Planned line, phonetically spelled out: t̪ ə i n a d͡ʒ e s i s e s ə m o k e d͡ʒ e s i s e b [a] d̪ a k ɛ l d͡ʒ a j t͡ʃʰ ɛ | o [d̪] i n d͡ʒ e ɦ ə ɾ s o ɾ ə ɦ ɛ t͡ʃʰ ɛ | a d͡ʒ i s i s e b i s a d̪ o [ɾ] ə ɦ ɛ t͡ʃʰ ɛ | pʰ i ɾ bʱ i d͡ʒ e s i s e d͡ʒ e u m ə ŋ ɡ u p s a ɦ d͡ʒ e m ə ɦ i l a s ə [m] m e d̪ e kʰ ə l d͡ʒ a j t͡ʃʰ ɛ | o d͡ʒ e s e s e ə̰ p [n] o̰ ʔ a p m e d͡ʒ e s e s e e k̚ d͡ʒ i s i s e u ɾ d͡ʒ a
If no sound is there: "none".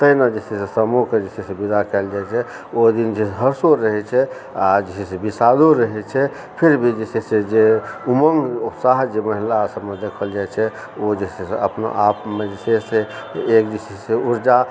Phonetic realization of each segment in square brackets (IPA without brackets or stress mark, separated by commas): i, d̪, ɾ, b, n